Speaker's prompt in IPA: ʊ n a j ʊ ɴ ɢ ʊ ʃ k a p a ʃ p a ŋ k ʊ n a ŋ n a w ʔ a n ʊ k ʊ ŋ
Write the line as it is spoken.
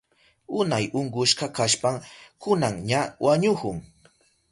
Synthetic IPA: ʊ n a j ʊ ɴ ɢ ʊ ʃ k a k a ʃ p a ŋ k ʊ n a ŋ ɲ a w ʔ a ɲ ʊ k ʊ ŋ